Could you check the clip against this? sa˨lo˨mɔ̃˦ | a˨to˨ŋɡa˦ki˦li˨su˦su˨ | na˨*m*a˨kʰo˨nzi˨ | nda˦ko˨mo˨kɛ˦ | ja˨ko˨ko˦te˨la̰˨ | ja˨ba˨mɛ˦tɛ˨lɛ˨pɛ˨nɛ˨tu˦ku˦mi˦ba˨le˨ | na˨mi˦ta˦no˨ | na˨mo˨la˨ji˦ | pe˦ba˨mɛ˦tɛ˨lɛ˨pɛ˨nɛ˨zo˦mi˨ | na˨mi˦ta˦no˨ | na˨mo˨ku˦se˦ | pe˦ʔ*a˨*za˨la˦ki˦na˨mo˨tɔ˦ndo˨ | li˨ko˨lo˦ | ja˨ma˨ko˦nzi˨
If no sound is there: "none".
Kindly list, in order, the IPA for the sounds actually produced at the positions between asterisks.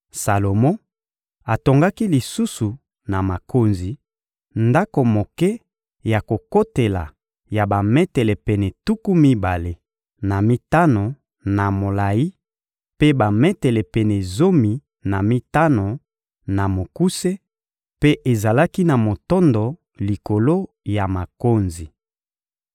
m, e˨

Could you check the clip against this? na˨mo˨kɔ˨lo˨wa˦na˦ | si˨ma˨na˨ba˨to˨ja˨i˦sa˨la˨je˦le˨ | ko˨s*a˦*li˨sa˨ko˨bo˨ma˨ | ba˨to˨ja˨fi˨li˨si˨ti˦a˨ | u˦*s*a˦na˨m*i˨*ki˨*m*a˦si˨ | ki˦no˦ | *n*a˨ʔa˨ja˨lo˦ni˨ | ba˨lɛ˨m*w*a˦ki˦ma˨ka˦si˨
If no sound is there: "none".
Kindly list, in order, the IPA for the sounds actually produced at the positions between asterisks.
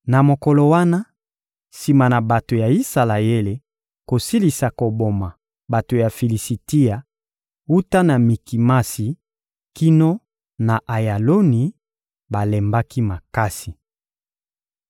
i˦, t, i˨, m, n, b

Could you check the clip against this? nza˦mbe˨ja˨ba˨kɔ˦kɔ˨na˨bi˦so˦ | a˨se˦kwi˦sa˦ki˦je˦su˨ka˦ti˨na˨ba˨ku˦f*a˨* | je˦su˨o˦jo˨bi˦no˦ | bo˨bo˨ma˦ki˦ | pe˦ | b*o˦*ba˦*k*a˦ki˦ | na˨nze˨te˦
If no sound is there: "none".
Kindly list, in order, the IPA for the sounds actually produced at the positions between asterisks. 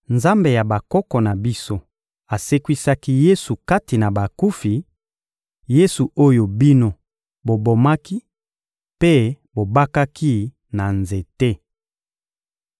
i˨, o˨, k

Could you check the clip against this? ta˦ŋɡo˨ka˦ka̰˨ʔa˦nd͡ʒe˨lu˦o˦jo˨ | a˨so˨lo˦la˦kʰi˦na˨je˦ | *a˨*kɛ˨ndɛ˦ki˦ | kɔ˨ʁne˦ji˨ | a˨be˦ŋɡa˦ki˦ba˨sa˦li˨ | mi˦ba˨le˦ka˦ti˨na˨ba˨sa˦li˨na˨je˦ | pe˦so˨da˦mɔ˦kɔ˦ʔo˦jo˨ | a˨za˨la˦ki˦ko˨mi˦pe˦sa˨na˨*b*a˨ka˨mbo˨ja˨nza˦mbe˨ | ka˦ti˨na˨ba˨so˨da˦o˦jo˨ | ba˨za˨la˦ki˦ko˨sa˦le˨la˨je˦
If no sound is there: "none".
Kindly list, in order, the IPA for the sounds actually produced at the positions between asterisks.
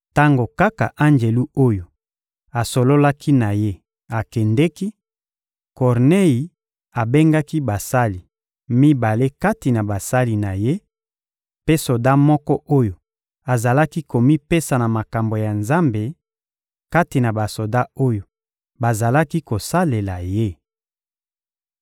a˨, m

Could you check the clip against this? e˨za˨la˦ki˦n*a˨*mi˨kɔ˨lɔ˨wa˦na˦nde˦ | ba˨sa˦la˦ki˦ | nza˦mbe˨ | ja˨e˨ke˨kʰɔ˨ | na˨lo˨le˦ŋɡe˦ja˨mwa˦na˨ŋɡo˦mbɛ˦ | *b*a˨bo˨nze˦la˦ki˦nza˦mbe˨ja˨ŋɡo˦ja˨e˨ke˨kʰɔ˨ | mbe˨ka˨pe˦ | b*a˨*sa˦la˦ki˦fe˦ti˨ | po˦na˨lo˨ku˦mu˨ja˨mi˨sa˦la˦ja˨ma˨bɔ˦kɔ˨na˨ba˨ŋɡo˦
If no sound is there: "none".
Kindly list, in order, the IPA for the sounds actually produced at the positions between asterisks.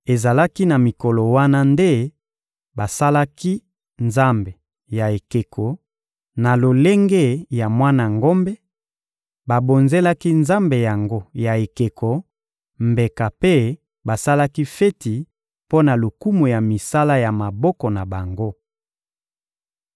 a˨, b, a˨

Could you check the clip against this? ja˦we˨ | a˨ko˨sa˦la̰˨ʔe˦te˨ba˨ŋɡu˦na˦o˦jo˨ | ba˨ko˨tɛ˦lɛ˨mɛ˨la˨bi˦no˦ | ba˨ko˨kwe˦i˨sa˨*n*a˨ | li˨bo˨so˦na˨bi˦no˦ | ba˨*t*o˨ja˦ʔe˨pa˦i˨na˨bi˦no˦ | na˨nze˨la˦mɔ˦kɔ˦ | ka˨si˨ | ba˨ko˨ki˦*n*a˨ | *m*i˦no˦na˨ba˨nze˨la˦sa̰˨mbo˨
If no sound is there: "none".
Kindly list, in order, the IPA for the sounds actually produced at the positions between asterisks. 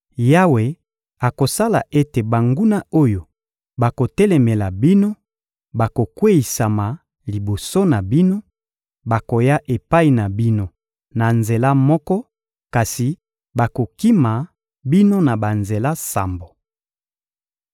m, k, m, b

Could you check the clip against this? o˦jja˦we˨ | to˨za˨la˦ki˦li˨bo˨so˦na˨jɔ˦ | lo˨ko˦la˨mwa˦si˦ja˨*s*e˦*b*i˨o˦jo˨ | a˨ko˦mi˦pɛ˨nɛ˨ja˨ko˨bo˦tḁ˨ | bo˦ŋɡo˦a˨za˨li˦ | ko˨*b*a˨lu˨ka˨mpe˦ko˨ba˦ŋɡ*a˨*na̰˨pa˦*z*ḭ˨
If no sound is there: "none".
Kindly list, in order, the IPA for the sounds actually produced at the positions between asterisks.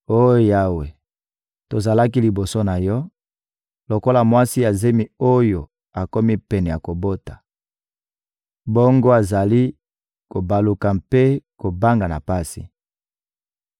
z, m, b, a˨, s

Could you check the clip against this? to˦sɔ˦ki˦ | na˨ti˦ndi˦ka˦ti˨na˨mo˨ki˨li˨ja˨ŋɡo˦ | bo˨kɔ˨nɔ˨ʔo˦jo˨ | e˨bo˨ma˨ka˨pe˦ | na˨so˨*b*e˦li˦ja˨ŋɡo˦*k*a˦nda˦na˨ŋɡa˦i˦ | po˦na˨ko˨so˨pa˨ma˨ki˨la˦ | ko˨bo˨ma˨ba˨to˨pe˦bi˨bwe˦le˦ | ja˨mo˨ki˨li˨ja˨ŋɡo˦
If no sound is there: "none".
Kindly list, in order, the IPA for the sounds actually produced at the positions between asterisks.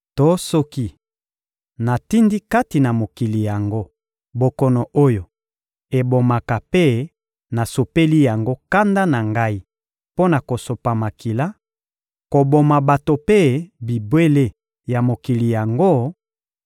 p, k

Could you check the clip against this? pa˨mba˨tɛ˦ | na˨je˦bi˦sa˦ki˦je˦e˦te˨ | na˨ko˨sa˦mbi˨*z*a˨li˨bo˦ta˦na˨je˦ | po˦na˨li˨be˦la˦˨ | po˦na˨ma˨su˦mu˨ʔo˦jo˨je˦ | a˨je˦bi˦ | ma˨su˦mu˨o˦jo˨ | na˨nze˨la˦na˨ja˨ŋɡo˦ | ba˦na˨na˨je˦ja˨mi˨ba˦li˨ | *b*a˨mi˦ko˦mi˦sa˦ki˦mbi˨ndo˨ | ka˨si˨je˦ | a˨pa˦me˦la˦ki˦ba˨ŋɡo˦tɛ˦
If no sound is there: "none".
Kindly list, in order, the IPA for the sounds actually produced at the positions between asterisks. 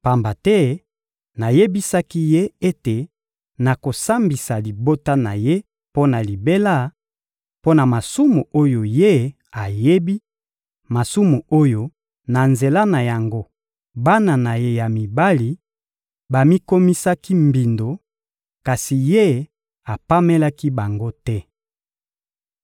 s, b

